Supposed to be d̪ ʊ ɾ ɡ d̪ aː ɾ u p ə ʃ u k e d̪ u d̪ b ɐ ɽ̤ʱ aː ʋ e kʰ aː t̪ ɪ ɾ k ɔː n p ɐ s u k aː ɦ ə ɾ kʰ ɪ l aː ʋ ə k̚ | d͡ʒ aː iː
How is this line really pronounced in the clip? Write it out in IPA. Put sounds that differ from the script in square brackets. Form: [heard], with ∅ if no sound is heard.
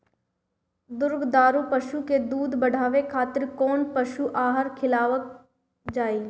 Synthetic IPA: d̪ ʊ ɾ ɡ d̪ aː ɾ u p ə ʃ u k e d̪ [uː] d̪ b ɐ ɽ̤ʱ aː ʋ e kʰ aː t̪ ɪ ɾ k ɔː n p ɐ [ʃ] u [ʔ] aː ɦ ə ɾ kʰ ɪ l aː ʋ ə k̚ | d͡ʒ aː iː